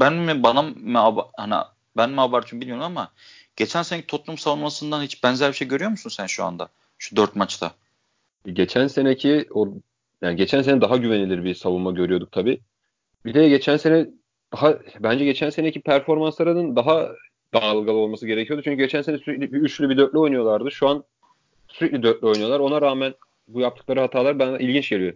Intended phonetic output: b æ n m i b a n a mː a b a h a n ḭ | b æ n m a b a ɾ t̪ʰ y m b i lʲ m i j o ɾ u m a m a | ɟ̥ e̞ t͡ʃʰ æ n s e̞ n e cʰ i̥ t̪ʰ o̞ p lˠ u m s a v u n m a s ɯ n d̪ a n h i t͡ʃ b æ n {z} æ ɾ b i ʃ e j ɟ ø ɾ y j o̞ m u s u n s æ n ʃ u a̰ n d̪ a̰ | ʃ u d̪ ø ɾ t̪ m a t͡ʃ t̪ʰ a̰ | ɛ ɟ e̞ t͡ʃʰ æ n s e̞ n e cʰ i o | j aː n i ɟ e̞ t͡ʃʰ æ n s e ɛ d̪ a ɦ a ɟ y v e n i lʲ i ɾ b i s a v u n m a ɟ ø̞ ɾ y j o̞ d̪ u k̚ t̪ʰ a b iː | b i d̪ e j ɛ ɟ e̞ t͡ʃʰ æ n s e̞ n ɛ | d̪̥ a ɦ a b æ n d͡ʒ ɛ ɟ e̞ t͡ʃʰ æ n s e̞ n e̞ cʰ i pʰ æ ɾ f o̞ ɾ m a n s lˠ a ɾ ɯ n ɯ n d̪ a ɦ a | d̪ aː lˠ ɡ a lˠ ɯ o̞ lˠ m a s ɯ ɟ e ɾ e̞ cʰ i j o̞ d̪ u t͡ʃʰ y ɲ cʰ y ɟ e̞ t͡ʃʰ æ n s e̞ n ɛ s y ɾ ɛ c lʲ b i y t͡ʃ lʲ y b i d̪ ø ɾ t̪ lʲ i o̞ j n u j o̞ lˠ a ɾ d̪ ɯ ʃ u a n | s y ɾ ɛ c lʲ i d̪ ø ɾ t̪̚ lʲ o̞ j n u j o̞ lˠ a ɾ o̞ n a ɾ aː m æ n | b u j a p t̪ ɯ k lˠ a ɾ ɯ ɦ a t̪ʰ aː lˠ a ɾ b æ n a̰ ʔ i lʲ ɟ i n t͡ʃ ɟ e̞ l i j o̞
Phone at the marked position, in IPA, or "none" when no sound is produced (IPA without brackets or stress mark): z